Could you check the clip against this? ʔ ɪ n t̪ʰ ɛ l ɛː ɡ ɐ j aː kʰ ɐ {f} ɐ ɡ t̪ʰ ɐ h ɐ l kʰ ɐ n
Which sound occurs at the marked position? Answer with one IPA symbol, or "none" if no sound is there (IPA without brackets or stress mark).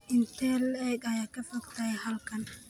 f